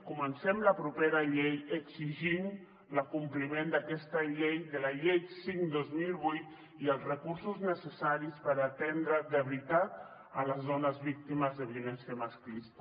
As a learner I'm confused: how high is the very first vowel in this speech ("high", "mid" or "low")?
high